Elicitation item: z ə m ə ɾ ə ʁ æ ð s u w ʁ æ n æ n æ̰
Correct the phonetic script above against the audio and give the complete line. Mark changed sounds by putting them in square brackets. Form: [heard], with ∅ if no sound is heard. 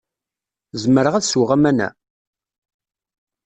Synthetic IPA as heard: z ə m ə ɾ ə ʁ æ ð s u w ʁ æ [m] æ n æ̰